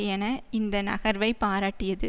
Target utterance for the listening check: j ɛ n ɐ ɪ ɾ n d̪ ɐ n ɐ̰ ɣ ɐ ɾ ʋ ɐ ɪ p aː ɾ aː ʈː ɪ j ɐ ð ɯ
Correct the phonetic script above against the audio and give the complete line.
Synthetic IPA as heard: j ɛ n ɐ ɪ n d̪ ɐ n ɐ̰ ɣ ɐ ɾ ʋ ɐ ɪ p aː ɾ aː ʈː ɪ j ɐ ð ɯ

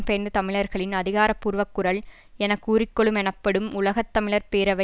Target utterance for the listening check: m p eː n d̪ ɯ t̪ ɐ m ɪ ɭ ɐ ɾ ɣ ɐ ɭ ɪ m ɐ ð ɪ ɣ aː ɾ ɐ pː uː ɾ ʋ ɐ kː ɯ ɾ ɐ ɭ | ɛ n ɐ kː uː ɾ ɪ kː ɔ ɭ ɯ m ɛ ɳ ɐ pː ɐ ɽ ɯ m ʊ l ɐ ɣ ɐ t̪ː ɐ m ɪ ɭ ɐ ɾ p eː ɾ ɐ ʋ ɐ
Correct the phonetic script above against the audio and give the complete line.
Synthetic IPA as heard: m p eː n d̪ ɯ t̪ ɐ m ɪ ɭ ɐ ɾ ɣ ɐ ɭ ɪ n ɐ ð ɪ ɣ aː ɾ ɐ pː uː ɾ ʋ ɐ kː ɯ ɾ ɐ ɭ | ɛ n ɐ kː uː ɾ ɪ kː ɔ ɭ ɯ m ɛ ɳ ɐ pː ɐ ɽ ɯ m ʊ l ɐ ɣ ɐ t̪ː ɐ m ɪ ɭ ɐ ɾ p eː ɾ ɐ ʋ ɐ

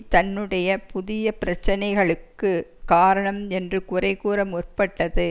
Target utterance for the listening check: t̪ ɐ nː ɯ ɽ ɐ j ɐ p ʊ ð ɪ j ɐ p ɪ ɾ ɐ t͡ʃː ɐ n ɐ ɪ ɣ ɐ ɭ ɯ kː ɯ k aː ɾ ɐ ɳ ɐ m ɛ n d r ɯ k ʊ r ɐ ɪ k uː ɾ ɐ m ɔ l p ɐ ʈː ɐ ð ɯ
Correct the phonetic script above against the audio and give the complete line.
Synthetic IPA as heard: t̪ ɐ nː ɯ ɽ ɐ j ɐ p ʊ ð ɪ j ɐ p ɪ ɾ ɐ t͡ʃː ɐ n ɐ ɪ ɣ ɐ ɭ ɯ kː ɯ k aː ɾ ɐ ɳ ɐ m ɛ n d r ɯ k ʊ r ɐ ɪ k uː ɾ ɐ m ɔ r p ɐ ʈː ɐ ð ɯ

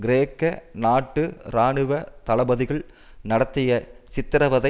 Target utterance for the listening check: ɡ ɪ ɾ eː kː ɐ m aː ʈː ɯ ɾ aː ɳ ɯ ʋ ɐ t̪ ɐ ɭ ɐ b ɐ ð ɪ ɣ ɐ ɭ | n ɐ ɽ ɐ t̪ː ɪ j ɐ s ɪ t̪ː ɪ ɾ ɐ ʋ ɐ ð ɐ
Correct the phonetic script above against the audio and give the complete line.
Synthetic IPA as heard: ɡ ɪ ɾ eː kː ɐ n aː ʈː ɯ ɾ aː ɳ ɯ ʋ ɐ t̪ ɐ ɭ ɐ b ɐ ð ɪ ɣ ɐ ɭ | n ɐ ɽ ɐ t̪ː ɪ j ɐ s ɪ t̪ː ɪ ɾ ɐ ʋ ɐ ð ɐ

